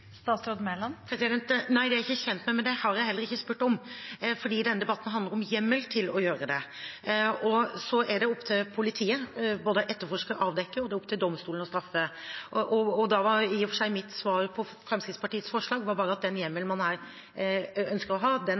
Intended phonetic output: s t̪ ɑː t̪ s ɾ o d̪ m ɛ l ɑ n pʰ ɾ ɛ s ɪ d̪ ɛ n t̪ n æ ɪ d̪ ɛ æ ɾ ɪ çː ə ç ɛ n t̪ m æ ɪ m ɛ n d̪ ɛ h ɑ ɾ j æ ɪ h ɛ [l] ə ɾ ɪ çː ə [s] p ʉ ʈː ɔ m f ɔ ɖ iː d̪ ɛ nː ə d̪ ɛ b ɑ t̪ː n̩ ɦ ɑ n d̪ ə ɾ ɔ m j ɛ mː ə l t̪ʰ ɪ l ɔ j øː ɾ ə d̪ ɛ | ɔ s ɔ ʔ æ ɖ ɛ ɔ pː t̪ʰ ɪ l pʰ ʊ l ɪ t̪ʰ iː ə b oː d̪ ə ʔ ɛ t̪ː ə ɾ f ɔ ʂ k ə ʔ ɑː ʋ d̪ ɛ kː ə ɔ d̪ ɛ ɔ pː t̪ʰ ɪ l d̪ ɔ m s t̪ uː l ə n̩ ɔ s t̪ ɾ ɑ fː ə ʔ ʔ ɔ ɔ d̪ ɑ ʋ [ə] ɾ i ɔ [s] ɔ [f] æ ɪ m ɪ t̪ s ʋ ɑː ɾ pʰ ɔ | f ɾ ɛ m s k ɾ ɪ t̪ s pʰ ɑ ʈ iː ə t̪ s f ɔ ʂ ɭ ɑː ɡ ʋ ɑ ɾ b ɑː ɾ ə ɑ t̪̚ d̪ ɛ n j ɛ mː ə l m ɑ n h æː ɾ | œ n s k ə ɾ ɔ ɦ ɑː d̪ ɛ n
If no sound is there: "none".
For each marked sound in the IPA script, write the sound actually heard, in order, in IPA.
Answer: lː, s, ɑ, f, ʂ

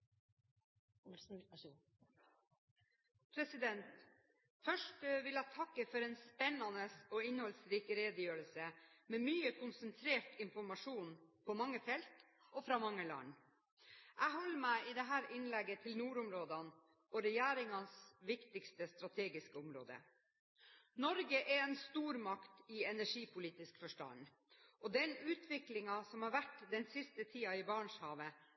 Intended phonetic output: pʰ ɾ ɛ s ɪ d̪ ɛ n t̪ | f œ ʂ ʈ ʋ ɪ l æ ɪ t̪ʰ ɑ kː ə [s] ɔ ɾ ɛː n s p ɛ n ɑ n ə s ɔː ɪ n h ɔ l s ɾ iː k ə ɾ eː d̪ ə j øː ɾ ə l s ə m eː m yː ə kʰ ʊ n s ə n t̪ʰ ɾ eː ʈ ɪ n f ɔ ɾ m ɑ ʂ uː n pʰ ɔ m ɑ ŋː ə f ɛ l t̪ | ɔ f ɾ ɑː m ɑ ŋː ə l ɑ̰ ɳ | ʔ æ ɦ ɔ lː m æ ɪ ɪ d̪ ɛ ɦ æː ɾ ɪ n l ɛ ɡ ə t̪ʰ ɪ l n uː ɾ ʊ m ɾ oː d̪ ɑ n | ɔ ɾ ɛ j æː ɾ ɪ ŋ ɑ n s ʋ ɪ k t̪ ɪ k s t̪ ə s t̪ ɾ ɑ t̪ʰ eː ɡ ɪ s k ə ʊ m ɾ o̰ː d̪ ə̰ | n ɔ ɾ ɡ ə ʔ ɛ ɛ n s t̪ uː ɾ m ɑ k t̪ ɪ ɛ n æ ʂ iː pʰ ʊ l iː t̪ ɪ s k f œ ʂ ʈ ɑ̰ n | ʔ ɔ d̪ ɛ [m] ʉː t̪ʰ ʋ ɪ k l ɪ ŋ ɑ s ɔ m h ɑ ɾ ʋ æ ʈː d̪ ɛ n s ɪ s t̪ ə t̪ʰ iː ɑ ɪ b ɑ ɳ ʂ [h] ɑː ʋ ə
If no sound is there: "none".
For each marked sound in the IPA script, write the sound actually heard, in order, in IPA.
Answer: f, n, h

